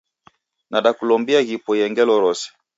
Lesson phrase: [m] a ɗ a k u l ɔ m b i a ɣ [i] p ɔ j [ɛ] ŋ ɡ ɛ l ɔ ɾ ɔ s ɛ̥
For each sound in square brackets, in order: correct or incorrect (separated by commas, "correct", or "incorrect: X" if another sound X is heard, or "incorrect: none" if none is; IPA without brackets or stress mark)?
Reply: incorrect: n, correct, correct